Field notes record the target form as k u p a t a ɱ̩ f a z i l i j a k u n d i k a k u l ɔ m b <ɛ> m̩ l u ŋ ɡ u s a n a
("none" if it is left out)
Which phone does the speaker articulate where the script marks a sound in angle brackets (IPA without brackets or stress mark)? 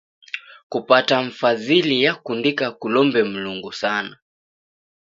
ɛ